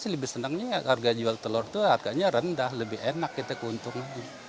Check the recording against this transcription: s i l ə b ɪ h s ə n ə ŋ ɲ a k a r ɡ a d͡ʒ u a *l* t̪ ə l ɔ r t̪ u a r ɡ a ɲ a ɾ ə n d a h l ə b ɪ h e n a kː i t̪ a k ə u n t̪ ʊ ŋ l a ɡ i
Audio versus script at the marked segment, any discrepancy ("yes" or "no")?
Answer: no